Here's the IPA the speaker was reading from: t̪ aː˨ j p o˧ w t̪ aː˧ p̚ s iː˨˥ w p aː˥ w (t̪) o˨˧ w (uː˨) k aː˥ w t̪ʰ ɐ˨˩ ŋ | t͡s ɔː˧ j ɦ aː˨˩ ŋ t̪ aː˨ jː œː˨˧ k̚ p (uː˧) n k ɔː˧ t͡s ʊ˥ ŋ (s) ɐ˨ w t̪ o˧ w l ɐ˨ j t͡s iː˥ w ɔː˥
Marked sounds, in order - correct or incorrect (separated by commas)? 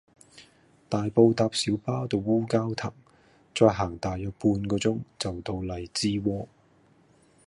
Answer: correct, incorrect, correct, incorrect